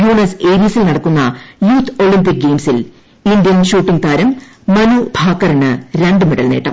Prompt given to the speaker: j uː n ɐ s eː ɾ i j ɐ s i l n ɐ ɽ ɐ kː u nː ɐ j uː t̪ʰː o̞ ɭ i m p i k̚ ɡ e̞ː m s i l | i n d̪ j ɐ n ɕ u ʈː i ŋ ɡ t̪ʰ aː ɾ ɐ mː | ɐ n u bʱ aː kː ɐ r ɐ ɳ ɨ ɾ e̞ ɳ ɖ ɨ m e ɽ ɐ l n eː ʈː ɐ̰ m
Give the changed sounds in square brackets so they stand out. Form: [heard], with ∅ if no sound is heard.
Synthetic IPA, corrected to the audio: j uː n ɐ s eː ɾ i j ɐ s i l n ɐ ɽ ɐ kː u nː ɐ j uː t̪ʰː o̞ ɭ i m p i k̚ ɡ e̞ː m s i l | i n d̪ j ɐ n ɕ [uː] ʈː i ŋ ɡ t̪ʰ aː ɾ ɐ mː | ɐ n u bʱ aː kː ɐ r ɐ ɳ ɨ ɾ e̞ ɳ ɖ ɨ m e ɽ ɐ l n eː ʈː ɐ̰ m